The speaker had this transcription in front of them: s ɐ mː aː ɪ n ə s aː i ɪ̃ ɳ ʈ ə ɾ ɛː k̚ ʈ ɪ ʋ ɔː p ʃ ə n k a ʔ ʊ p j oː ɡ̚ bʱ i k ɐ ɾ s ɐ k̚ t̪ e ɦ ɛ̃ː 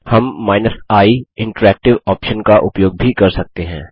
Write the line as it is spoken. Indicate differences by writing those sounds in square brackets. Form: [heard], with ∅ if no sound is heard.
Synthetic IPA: [h] ɐ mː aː ɪ n ə s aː i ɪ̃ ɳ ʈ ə ɾ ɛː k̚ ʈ ɪ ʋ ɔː p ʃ ə n k a ʔ ʊ p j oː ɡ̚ bʱ i k ɐ ɾ s ɐ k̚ t̪ e ɦ ɛ̃ː